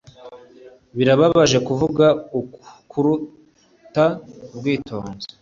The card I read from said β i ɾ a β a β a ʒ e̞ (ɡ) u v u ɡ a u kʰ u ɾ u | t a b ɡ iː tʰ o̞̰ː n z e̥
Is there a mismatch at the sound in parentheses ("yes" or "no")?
yes